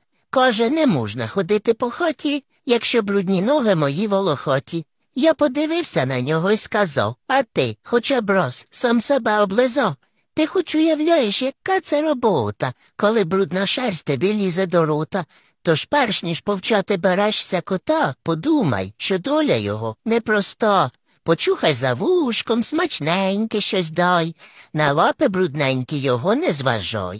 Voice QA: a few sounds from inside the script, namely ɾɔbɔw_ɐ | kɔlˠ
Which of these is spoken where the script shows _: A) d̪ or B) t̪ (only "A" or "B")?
B